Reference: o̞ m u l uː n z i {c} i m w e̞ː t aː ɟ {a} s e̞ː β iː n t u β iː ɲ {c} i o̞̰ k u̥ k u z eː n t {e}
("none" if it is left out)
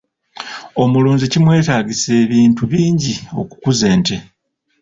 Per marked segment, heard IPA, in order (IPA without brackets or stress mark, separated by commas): c, i, ɟ, e